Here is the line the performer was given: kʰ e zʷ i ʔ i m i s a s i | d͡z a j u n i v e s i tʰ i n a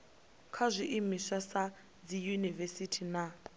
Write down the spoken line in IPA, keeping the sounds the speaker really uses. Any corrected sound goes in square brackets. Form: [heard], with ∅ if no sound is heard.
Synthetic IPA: kʰ [a] zʷ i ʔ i m i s a s [a] | d͡z [i] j u n i v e s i tʰ i n a